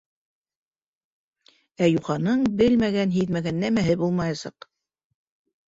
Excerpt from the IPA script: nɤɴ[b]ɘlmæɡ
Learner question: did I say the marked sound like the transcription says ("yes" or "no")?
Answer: yes